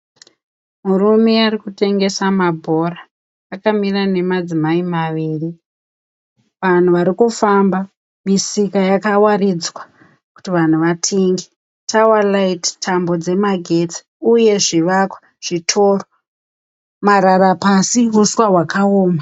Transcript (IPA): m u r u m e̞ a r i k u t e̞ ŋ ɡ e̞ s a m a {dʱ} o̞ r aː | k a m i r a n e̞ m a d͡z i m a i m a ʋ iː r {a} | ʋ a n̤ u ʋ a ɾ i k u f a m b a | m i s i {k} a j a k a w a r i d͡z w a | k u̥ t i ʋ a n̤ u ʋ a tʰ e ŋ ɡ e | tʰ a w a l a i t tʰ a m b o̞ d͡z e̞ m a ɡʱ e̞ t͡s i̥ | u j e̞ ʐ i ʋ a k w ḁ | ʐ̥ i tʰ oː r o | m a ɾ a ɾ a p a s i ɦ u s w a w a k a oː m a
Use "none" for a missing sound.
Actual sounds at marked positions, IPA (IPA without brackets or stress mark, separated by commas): bʱ, i, k